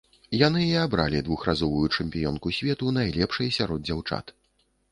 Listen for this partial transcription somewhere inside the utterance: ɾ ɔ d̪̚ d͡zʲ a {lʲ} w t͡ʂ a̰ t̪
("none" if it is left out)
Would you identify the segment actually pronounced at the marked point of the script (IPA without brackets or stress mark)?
none